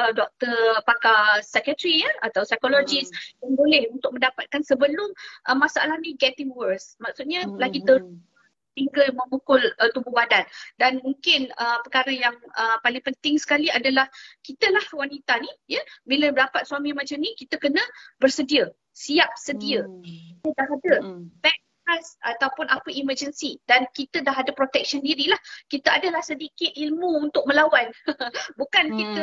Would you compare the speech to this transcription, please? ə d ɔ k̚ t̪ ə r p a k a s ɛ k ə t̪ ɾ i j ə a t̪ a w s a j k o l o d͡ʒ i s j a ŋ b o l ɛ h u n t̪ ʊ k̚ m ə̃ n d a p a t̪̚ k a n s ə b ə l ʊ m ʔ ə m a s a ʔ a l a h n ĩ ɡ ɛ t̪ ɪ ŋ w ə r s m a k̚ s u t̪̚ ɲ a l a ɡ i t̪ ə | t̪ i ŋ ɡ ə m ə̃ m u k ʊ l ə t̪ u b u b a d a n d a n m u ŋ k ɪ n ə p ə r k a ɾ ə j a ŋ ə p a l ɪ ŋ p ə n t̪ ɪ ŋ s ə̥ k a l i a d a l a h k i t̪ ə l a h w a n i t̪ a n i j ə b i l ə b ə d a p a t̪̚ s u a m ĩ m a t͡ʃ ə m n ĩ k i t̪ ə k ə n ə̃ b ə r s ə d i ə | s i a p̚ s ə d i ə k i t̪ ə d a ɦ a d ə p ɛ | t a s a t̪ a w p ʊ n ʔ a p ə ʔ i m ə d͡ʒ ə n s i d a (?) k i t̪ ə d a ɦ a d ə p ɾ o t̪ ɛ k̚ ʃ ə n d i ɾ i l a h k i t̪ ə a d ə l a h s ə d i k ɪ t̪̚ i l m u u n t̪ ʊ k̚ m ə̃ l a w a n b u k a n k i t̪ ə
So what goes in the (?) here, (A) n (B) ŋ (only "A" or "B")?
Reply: A